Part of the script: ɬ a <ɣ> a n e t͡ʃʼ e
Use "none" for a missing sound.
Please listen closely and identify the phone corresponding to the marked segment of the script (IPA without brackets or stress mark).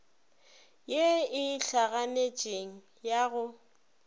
ɣ